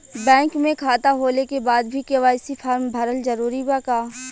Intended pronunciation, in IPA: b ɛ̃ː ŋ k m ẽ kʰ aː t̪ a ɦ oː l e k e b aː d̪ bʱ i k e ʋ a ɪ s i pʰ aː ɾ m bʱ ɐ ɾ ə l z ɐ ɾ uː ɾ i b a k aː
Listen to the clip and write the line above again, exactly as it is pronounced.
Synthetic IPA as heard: b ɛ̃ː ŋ k m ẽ kʰ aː t̪ a ɦ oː l e k e b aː d̪ bʱ i k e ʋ a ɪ s i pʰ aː ɾ m bʱ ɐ ɾ ə l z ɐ ɾ uː ɾ i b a k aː